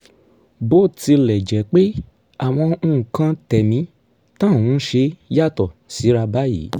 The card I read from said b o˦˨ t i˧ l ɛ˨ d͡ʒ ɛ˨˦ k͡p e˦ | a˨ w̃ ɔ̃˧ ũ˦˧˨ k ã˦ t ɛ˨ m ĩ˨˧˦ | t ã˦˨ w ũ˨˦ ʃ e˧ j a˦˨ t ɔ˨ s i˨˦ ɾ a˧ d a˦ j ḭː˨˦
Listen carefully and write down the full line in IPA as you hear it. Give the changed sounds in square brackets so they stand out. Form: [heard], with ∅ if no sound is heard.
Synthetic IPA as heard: b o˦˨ t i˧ l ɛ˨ d͡ʒ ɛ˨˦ k͡p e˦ | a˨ w̃ ɔ̃˧ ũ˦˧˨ k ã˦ t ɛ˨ m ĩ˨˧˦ | t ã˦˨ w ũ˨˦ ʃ e˧ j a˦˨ t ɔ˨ s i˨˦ ɾ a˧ [b] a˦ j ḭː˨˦